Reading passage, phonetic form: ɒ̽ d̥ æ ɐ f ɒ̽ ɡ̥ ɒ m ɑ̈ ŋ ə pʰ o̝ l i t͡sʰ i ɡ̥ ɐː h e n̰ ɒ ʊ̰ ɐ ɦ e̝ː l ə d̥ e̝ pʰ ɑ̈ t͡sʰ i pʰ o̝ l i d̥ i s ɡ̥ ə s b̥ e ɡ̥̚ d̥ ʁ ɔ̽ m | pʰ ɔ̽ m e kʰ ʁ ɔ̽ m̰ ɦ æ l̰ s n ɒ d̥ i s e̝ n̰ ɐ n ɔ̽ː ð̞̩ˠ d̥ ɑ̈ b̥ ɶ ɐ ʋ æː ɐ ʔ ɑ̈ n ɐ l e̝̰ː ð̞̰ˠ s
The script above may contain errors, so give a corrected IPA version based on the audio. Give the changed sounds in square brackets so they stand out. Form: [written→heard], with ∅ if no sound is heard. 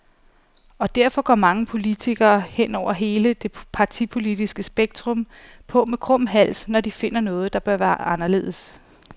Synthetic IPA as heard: ɒ̽ d̥ æ ɐ f ɒ̽ ɡ̥ ɒ m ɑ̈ ŋ ə pʰ o̝ l i t͡sʰ i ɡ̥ ɐː h e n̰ ɒ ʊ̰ ɐ ɦ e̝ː l ə d̥ e̝ pʰ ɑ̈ t͡sʰ i pʰ o̝ l i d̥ i s ɡ̥ ə s b̥ e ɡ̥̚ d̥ ʁ ɔ̽ m | pʰ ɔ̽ m e kʰ ʁ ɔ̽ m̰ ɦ æ l̰ s n ɒ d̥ i [s→f] e̝ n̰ ɐ n ɔ̽ː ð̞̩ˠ d̥ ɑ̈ b̥ ɶ ɐ ʋ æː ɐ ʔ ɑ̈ n ɐ l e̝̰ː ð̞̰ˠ s